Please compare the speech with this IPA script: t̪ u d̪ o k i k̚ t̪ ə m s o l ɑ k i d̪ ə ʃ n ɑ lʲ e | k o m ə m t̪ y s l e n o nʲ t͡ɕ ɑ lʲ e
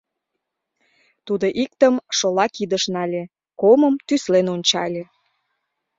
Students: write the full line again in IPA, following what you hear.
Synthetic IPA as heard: t̪ u d̪ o ʔ i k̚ t̪ ə m ʃ o l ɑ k i d̪ ə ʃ n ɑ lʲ e | k o m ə m t̪ y s l e n o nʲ t͡ɕ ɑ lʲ e